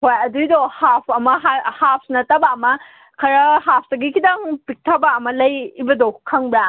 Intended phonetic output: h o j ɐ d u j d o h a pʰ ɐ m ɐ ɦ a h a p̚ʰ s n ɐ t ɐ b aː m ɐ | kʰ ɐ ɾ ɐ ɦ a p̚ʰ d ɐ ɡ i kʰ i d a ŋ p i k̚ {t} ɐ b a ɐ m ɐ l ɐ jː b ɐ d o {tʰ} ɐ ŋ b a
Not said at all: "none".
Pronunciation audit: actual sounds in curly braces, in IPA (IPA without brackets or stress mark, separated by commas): tʰ, kʰ